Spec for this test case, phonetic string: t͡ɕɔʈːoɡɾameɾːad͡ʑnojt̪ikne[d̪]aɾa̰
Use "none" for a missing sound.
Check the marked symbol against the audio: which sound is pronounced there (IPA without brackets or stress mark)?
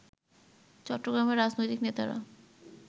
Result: t̪